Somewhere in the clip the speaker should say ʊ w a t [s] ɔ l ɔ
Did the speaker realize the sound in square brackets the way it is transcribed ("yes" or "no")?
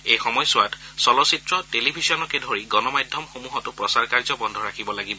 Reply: yes